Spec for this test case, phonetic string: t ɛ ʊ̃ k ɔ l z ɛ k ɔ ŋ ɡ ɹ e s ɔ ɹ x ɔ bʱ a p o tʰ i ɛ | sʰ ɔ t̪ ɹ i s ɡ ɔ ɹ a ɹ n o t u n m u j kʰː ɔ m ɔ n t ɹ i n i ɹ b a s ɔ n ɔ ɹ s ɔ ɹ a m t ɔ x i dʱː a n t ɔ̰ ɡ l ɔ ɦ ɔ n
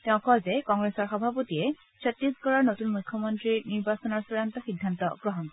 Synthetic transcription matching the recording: t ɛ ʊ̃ k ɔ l z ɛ k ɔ ŋ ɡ ɹ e s ɔ ɹ x ɔ bʱ a p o t i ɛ | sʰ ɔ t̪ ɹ i s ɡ ɔ ɹ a ɹ n o t u n m u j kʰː ɔ m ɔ n t ɹ i n i ɹ b a s ɔ n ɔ ɹ s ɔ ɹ a n t ɔ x i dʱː a n t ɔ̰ ɡ ɹ ɔ ɦ ɔ n